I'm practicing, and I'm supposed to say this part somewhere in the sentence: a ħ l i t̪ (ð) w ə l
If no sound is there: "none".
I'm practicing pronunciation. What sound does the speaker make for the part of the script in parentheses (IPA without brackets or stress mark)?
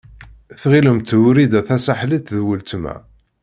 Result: ð